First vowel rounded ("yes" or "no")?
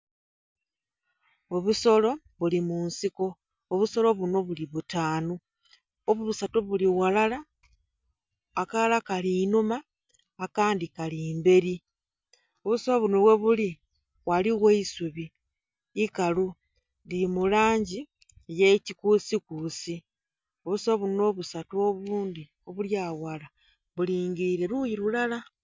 yes